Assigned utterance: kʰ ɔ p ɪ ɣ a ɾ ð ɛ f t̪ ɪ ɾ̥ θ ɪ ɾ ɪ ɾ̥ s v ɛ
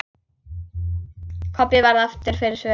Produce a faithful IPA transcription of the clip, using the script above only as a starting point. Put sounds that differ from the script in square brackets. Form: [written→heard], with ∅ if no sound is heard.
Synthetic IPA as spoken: kʰ ɔ p ɪ [ɣ→v] a ɾ ð [ɛ→a] f t̪ ɪ ɾ̥ [θ→f] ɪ ɾ ɪ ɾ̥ s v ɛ